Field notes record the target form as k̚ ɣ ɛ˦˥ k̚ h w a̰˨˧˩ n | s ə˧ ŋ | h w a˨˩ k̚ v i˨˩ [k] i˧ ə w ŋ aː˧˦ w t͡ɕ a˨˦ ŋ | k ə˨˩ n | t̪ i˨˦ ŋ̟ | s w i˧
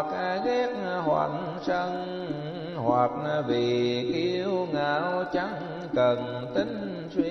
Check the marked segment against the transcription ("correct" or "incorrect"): correct